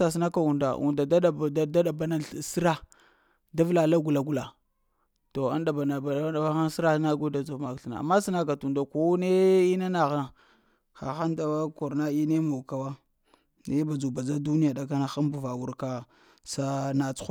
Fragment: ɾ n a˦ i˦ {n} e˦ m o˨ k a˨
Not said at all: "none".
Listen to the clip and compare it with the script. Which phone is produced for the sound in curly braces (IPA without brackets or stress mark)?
n